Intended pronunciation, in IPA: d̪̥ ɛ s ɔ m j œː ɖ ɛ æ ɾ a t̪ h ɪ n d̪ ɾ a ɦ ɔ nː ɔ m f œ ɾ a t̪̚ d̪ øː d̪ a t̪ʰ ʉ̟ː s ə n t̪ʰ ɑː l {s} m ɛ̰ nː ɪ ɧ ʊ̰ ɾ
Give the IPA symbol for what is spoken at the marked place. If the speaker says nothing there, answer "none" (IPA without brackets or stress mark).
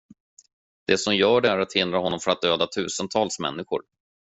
s